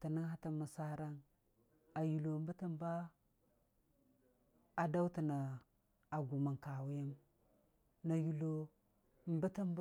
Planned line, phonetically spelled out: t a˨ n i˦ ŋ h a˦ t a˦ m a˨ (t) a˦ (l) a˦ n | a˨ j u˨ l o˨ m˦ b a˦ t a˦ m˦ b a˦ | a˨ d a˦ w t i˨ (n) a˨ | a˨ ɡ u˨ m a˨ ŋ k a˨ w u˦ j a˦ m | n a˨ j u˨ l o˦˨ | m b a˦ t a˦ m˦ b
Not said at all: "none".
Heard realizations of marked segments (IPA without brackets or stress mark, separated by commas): s, ɾ, n